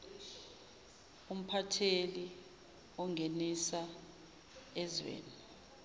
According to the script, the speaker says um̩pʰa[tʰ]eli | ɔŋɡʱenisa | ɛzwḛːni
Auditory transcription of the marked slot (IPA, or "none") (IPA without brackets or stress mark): tʰ